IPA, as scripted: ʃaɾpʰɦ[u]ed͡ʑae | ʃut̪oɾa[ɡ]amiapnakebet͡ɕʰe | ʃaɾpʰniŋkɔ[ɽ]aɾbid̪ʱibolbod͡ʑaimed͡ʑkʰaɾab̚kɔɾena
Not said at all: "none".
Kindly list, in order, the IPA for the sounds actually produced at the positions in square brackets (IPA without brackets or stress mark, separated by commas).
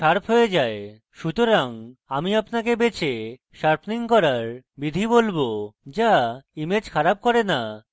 o, ŋ, ɾ